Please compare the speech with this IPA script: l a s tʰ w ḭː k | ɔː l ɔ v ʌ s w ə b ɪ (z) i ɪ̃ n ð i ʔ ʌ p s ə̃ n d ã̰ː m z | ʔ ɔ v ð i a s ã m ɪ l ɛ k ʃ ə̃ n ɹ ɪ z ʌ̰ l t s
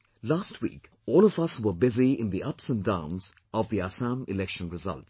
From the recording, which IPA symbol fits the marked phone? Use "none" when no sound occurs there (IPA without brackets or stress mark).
z